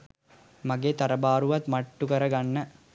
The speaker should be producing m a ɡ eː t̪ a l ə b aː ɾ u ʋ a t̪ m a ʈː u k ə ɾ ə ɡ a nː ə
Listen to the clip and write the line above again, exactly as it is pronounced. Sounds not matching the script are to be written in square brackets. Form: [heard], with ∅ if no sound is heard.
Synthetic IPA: m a ɡ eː t̪ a [ɾ] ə b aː ɾ u ʋ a t̪ m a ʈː u k ə ɾ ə ɡ a nː ə